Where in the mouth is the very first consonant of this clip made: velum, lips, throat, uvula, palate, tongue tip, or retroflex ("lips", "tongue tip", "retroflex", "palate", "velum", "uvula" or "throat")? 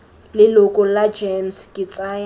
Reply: tongue tip